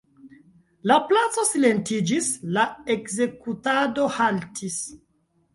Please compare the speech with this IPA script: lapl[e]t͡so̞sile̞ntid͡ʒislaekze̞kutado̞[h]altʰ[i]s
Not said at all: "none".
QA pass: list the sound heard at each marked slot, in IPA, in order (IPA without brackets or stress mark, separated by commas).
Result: a, h, i